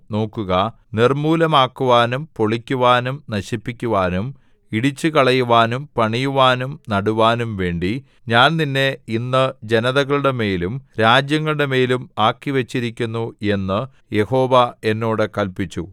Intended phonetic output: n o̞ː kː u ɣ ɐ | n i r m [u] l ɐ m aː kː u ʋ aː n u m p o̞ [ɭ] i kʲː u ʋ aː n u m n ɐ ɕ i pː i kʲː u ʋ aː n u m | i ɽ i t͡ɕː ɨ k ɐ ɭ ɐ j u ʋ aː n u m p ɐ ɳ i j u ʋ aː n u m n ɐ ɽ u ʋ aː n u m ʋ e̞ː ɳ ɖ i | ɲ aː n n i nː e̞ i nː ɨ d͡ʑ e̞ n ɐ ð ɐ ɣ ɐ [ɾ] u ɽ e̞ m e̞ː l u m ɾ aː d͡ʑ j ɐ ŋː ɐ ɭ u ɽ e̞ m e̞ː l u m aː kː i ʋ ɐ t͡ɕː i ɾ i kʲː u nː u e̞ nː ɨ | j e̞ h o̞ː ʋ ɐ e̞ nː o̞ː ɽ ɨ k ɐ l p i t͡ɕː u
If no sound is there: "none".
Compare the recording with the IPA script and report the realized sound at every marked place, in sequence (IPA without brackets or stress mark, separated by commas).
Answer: uː, ɭ, ɭ